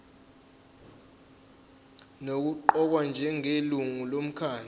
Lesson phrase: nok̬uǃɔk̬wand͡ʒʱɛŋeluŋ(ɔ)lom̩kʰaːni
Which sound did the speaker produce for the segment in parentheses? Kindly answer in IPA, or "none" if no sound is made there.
u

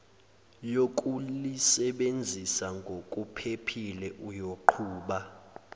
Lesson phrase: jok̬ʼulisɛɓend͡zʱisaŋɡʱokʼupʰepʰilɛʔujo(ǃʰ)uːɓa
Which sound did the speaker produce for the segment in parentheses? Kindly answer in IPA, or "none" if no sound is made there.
ǃʰ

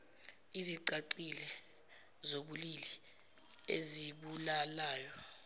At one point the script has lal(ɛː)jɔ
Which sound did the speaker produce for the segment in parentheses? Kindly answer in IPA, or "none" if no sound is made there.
aː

